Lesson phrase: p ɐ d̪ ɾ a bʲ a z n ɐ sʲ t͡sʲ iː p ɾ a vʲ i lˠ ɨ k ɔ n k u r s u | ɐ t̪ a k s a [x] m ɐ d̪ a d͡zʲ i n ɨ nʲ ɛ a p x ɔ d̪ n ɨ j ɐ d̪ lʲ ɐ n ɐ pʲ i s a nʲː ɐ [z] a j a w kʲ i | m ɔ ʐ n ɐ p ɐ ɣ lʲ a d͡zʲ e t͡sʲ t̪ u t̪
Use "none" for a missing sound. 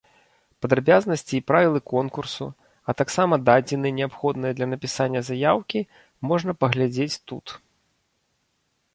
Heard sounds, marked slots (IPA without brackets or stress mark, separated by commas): none, z